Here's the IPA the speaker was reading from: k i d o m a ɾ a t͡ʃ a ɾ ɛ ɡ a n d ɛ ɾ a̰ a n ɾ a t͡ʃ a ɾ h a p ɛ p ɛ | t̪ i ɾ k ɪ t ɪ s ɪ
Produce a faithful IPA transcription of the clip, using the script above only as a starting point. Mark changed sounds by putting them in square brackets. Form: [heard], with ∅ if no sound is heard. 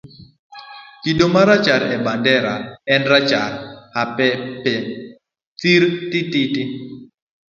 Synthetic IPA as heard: k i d o m a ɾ a t͡ʃ a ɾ ɛ [b] a n d ɛ ɾ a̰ [ɛ] n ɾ a t͡ʃ a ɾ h a p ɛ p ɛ | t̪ i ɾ [t] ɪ t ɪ [t] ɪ

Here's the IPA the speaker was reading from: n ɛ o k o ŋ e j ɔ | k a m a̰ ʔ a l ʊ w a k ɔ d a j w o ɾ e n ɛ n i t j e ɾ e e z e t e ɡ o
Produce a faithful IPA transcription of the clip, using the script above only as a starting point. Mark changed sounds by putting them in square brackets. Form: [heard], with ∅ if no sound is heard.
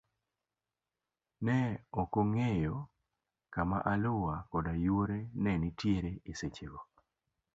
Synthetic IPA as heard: n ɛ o k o ŋ e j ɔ | k a m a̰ ʔ a l ʊ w a k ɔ d a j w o ɾ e n ɛ n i t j e ɾ e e [s] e [t͡ʃ] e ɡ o

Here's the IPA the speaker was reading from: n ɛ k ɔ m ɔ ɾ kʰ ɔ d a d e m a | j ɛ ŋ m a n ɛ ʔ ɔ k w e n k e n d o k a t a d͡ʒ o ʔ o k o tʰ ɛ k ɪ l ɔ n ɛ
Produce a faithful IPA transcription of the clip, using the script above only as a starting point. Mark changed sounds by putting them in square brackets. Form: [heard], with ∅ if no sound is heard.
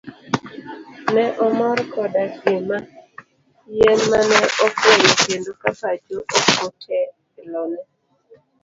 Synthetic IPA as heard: n ɛ [ʔ] ɔ m ɔ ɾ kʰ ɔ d a [ɡ] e m a | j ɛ [n] m a n ɛ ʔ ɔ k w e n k e n d o k a [p] a d͡ʒ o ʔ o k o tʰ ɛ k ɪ l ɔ n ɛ

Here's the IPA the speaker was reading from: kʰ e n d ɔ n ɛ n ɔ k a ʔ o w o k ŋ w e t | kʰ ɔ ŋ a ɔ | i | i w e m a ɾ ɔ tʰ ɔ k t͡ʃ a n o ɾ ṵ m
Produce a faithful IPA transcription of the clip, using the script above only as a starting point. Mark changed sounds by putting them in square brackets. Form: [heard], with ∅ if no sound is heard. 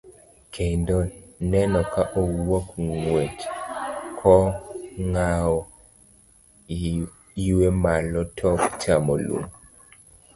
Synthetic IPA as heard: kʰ e n d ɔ n ɛ n ɔ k a ʔ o w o k ŋ w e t | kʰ ɔ ŋ a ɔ | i | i w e m a [l] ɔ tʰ ɔ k t͡ʃ a [m] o [l] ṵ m

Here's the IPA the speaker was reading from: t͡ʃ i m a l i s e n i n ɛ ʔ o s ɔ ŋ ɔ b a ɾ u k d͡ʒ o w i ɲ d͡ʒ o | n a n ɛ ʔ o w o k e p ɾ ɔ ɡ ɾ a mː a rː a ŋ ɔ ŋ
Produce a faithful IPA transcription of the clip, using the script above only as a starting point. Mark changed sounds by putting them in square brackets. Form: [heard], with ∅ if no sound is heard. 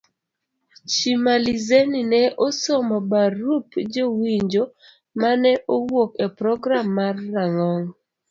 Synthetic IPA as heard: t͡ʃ i m a l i [z] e n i n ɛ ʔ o s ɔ [m] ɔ b a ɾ u [p] d͡ʒ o w i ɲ d͡ʒ o | [m] a n ɛ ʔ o w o k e p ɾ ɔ ɡ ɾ a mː a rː a ŋ ɔ ŋ

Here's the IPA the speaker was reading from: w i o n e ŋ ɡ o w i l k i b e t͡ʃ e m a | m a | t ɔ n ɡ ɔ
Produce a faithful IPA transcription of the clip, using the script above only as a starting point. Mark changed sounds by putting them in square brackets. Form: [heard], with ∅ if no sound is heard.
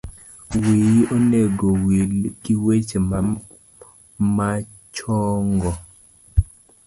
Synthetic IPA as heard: w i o n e [∅] ɡ o w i l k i [w] e t͡ʃ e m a | m a | [t͡ʃ] ɔ [ŋ] ɡ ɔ

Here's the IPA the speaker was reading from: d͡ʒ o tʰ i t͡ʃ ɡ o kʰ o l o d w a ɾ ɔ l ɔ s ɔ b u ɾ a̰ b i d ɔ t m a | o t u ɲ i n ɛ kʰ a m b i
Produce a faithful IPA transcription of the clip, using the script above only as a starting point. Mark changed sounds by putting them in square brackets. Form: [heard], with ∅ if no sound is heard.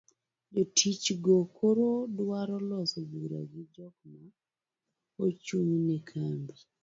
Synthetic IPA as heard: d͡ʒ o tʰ i t͡ʃ ɡ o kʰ o [ɾ] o d w a ɾ ɔ l ɔ s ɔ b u ɾ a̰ [ɡ] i [d͡ʒ] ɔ [k] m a | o [t͡ʃ] u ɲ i n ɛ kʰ a m b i

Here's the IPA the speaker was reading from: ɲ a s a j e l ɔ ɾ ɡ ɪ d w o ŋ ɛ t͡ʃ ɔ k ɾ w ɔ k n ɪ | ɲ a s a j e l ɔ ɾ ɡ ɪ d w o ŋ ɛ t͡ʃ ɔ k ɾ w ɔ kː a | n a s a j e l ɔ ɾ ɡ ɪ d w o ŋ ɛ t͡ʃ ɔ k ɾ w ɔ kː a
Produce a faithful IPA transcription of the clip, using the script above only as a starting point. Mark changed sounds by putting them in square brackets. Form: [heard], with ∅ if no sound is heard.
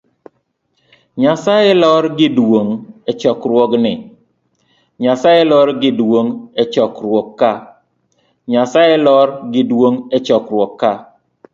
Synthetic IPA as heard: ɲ a s a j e l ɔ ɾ ɡ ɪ d w o ŋ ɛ t͡ʃ ɔ k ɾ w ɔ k n ɪ | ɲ a s a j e l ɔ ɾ ɡ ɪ d w o ŋ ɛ t͡ʃ ɔ k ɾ w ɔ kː a | [ɲ] a s a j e l ɔ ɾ ɡ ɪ d w o ŋ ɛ t͡ʃ ɔ k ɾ w ɔ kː a

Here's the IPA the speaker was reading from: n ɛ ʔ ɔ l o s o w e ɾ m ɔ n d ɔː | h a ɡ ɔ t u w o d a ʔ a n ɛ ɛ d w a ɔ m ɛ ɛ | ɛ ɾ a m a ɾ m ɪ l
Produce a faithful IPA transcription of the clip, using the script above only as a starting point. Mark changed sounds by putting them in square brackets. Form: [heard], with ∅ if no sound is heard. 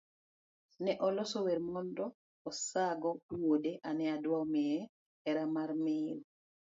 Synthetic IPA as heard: n ɛ ʔ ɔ l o s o w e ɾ m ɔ n d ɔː | [s] a ɡ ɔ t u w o d [e] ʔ a n ɛ [a] d w a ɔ m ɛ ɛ | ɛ ɾ a m a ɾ m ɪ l

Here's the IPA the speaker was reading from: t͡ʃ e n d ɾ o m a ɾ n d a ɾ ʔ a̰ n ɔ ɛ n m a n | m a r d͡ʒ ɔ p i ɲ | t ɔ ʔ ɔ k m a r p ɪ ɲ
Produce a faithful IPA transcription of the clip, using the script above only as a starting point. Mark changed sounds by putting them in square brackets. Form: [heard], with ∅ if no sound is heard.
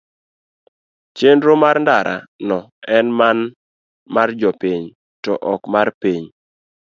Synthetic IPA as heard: t͡ʃ e n d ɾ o m a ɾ n d a ɾ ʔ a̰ n ɔ ɛ n m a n | m a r d͡ʒ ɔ p i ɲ | t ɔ ʔ ɔ k m a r p [i] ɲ

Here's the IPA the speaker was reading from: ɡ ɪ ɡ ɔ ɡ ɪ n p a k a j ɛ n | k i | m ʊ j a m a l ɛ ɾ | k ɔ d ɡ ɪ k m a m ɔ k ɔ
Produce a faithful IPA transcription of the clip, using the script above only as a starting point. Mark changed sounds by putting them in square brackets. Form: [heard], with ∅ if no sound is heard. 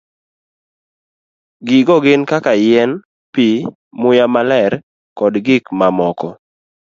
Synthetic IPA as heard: ɡ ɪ ɡ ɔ ɡ ɪ n [k] a k a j ɛ n | [p] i | m ʊ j a m a l ɛ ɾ | k ɔ d ɡ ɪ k m a m ɔ k ɔ

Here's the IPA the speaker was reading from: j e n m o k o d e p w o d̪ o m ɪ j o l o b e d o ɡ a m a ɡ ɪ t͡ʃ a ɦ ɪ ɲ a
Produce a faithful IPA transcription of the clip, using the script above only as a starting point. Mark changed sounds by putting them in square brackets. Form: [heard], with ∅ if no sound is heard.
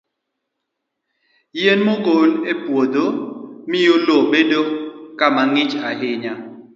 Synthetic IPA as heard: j e n m o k o [n] e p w o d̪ o m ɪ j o l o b e d o [k] a m a [ŋ] ɪ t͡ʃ a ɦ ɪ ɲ a

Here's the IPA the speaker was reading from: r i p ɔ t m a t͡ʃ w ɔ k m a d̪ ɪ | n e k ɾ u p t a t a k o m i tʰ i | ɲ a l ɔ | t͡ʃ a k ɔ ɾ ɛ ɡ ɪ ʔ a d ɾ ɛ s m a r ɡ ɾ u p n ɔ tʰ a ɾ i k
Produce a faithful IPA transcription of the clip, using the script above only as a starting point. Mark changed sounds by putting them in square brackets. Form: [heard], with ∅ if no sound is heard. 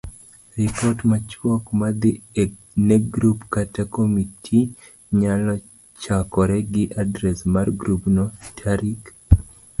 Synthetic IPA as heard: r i p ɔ t m a t͡ʃ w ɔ k m a d̪ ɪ | n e [ɡ] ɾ u p [k] a t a k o m i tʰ i | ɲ a l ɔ | t͡ʃ a k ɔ ɾ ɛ ɡ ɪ ʔ a d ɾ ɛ s m a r ɡ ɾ u p n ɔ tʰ a ɾ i k

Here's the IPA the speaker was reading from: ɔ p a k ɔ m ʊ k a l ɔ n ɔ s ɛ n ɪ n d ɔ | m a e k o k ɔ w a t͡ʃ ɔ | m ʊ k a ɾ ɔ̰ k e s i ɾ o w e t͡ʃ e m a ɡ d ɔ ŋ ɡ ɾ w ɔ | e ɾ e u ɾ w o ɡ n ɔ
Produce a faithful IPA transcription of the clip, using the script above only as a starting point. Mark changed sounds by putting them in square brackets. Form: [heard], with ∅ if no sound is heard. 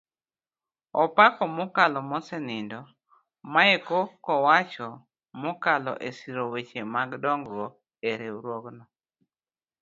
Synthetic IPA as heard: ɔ p a k ɔ m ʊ k a l ɔ [m] ɔ s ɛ n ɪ n d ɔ | m a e k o k ɔ w a t͡ʃ ɔ | m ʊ k a [l] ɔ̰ [ʔ] e s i ɾ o w e t͡ʃ e m a ɡ d ɔ ŋ ɡ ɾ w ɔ | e ɾ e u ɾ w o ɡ n ɔ

